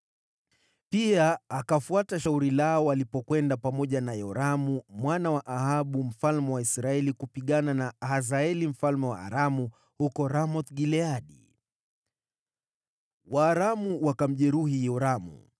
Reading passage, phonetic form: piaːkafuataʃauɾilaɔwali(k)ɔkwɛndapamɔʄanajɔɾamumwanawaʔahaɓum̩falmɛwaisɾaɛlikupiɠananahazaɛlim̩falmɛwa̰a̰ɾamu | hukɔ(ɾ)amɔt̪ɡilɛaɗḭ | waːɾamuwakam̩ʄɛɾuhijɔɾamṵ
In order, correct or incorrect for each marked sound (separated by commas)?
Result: incorrect, correct